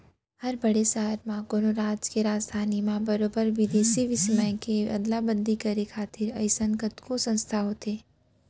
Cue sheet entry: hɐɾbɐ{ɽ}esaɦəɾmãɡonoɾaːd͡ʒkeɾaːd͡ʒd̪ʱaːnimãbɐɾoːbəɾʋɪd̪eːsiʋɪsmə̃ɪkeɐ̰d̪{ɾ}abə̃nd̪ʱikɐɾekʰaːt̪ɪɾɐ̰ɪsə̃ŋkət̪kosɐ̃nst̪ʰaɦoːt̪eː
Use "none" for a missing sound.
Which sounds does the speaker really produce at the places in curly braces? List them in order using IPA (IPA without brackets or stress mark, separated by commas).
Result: ɽ, l